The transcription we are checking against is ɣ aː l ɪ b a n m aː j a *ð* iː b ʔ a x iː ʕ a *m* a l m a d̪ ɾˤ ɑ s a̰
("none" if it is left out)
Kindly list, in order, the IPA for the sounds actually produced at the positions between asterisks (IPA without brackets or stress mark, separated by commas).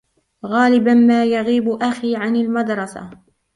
ɣ, n